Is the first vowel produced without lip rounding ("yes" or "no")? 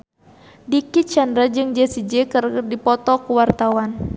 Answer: yes